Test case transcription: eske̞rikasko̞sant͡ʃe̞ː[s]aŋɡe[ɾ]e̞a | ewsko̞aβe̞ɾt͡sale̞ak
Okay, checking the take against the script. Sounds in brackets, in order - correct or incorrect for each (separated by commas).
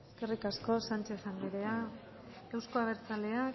correct, correct